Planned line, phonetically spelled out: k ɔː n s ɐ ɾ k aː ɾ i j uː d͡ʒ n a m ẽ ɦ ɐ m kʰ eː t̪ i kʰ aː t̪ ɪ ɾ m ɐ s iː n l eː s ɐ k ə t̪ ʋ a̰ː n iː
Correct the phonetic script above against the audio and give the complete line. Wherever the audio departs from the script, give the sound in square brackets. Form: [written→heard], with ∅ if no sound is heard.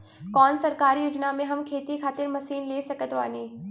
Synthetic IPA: k ɔː n s ɐ ɾ k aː ɾ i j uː d͡ʒ n a m ẽ ɦ ɐ m kʰ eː t̪ i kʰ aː t̪ ɪ ɾ m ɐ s iː n l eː s ɐ k ə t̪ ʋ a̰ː n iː